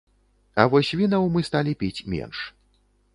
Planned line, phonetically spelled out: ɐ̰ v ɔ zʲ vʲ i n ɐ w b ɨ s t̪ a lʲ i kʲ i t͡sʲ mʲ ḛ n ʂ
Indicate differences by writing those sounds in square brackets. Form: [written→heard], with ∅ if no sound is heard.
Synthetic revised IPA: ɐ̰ v ɔ [zʲ→sʲ] vʲ i n ɐ w [b→m] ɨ s t̪ a lʲ i [kʲ→pʲ] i t͡sʲ mʲ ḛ n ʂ